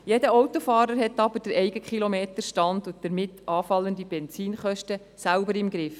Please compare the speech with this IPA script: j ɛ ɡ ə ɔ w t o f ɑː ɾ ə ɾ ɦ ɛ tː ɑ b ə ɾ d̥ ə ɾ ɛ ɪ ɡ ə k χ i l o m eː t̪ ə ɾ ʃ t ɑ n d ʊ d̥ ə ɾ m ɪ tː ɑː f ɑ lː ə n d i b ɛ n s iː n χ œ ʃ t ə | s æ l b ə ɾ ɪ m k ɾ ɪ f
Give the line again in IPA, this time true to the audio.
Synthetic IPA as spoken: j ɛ d ə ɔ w t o f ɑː ɾ ə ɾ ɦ ɛ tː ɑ b ə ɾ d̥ ə ɾ ɛ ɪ ɡ ə k χ i l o m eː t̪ ə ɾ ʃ t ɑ n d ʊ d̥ ə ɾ m ɪ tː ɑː f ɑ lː ə n d i b ɛ n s iː n χ œ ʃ t ə | s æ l b ə ɾ ɪ m ɡ ɾ ɪ f